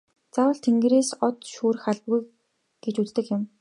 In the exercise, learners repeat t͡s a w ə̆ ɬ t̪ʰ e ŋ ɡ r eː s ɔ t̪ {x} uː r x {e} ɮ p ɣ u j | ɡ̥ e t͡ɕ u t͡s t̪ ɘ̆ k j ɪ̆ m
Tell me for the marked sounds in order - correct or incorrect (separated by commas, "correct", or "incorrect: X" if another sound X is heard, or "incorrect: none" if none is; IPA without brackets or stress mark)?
incorrect: ʃ, incorrect: a